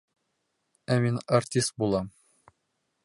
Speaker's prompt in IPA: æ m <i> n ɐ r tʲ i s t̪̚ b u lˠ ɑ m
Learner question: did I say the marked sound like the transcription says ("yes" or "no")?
yes